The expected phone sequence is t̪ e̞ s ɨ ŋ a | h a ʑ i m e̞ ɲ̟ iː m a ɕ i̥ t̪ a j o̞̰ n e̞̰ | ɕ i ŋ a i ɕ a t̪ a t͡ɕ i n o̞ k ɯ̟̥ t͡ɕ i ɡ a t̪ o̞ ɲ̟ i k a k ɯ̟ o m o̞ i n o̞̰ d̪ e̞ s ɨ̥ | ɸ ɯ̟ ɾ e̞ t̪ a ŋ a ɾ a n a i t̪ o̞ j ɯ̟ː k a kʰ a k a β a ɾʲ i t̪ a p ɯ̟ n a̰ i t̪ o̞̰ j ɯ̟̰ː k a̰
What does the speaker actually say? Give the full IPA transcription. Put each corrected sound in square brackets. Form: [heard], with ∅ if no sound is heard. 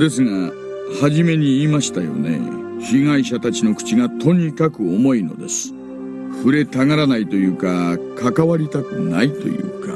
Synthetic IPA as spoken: [d̪] e̞ s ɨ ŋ a | h a ʑ i m e̞ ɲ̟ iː m a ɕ i̥ t̪ a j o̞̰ n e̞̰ | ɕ i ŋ a i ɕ a t̪ a t͡ɕ i n o̞ k ɯ̟̥ t͡ɕ i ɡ a t̪ o̞ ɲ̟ i k a k ɯ̟ o m o̞ i n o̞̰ d̪ e̞ s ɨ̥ | ɸ ɯ̟ ɾ e̞ t̪ a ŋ a ɾ a n a i t̪ o̞ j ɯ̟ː k a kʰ a k a β a ɾʲ i t̪ a [k] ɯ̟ n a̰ i t̪ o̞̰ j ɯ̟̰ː k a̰